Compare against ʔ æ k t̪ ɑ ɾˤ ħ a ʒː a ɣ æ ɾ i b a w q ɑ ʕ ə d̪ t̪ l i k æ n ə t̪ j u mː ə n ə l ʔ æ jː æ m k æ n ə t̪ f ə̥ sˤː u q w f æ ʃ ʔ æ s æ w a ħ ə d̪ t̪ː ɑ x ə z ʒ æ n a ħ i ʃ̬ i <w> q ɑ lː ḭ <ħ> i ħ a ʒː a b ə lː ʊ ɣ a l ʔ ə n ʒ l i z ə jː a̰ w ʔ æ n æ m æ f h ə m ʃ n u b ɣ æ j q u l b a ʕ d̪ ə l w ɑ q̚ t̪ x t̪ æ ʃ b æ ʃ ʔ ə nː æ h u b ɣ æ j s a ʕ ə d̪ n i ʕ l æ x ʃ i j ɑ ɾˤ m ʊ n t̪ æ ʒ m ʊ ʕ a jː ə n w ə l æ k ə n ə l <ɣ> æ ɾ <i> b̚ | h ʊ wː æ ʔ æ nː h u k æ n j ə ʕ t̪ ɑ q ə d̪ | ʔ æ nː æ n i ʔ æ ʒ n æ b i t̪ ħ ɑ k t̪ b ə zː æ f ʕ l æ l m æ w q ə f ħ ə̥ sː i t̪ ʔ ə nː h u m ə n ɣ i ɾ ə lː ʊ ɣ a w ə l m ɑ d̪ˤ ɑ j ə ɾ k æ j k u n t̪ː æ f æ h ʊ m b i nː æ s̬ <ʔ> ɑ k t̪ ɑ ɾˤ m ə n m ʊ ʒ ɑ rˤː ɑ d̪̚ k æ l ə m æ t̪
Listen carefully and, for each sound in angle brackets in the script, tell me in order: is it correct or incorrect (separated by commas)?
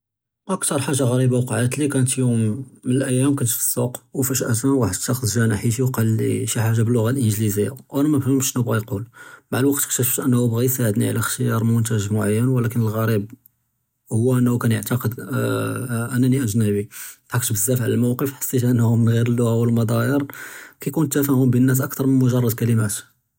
correct, incorrect, correct, correct, correct